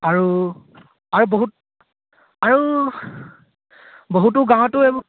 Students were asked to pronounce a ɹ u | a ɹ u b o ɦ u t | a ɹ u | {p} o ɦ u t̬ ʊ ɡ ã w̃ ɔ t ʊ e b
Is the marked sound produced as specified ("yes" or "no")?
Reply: no